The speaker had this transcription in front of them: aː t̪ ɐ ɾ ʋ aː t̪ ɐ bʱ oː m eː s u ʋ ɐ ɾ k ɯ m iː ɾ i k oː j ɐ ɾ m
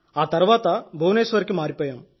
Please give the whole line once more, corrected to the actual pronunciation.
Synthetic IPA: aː t̪ ɐ ɾ ʋ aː t̪ ɐ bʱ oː n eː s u ʋ ɐ ɾ k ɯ m aː ɾ i p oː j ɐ m